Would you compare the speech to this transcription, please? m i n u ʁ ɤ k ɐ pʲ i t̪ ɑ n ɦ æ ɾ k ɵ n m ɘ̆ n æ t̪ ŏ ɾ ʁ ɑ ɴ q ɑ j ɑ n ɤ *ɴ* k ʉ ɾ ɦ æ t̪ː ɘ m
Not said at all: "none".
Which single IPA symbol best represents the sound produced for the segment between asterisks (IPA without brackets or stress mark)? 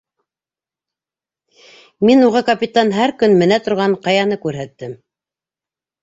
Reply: none